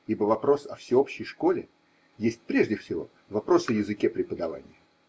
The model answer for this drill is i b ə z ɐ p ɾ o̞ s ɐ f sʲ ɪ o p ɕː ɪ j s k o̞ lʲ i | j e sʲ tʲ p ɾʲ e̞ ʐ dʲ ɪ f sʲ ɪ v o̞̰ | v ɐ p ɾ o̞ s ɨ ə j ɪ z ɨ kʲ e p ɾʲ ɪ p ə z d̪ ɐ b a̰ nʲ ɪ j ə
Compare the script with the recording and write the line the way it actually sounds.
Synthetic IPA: i b ə v ɐ p ɾ o̞ s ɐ f sʲ ɪ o p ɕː ɪ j ʂ k o̞ lʲ ɪ | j e sʲ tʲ p ɾʲ e̞ ʐ dʲ ɪ f sʲ ɪ v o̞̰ | v ɐ p ɾ o̞ s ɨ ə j ɪ z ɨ kʲ e p ɾʲ ɪ p ə d̪ ɐ v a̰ nʲ ɪ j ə